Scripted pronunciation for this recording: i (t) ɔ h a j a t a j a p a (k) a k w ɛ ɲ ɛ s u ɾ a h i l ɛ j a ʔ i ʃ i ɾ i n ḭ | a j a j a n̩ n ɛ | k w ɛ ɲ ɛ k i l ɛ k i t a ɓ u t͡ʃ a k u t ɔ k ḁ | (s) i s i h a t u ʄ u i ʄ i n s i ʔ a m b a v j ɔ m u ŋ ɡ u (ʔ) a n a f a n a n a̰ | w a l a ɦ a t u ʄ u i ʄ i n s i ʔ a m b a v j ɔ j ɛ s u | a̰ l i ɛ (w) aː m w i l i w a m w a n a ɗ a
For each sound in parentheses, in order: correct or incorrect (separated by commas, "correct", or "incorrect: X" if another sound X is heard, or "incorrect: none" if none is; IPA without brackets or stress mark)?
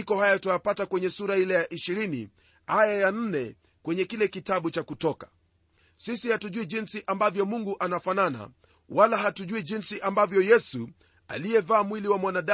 incorrect: k, incorrect: t, correct, correct, incorrect: v